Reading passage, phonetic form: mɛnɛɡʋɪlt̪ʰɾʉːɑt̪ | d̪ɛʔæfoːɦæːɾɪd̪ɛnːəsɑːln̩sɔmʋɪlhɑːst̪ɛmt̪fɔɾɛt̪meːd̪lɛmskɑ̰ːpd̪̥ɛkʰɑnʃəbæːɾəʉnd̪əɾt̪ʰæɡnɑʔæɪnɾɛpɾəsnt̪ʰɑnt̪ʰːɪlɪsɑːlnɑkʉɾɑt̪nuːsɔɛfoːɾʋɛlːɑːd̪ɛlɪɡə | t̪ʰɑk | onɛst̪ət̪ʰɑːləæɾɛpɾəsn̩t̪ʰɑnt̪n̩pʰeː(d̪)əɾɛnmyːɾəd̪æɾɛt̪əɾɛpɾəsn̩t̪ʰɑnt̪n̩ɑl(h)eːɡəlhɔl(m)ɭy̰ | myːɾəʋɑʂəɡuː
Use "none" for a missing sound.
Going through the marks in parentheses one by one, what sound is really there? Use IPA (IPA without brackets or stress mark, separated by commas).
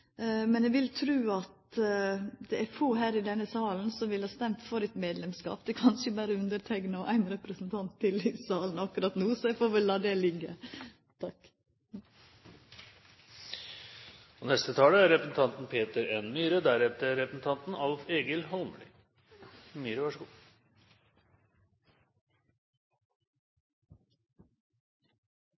t̪, f, m